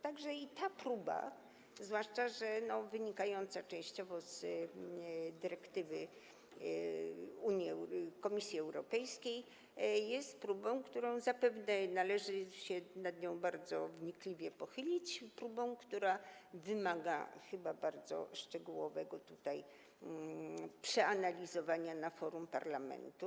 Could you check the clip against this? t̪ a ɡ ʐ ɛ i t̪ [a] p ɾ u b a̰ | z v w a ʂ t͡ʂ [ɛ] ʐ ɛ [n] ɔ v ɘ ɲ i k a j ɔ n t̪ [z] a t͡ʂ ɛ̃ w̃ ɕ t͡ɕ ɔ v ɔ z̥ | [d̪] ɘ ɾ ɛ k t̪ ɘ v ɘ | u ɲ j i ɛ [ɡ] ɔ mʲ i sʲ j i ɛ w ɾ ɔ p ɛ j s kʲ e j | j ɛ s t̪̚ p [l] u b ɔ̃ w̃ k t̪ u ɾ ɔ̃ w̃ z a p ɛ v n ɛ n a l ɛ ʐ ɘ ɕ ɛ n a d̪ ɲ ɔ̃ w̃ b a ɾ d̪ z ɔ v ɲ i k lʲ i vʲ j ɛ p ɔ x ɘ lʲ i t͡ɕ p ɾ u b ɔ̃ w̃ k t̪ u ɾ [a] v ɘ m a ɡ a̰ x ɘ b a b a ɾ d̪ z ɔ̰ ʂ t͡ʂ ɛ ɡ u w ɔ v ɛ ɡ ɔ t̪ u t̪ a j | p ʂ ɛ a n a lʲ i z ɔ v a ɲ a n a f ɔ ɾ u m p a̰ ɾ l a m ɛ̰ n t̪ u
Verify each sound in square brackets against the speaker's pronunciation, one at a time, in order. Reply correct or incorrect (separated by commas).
correct, incorrect, correct, incorrect, correct, incorrect, incorrect, correct